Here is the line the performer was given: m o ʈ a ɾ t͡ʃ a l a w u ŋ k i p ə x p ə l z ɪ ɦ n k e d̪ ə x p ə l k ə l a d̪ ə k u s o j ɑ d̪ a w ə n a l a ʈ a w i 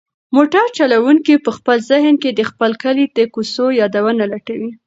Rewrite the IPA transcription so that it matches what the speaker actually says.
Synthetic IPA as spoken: m o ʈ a ɾ t͡ʃ a l a w u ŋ k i p ə x p ə l z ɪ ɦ n k e d̪ ə x p ə l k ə l i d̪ ə k u s o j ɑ d̪ a w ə n a l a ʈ a w i